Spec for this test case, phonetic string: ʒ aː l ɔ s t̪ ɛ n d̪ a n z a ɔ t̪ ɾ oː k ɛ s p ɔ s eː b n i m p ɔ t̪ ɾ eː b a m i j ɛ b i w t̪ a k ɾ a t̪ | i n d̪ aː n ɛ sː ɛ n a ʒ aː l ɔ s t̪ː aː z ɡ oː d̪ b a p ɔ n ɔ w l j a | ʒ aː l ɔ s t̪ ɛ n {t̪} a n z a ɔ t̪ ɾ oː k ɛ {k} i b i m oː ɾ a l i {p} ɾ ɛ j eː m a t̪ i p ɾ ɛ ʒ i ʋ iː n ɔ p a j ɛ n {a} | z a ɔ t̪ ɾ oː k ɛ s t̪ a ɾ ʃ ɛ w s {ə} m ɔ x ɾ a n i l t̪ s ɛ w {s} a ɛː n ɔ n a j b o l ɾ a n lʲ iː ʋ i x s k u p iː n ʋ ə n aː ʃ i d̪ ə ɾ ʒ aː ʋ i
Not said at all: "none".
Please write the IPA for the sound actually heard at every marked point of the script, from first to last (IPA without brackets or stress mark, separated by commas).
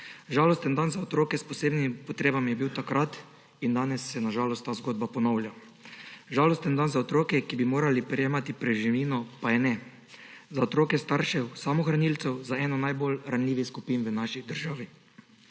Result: d̪, k, p, ɛ, a, z